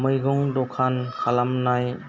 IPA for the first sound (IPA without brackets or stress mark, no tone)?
m